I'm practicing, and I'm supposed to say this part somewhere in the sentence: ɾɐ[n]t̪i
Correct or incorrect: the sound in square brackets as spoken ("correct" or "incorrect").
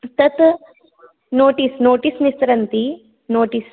correct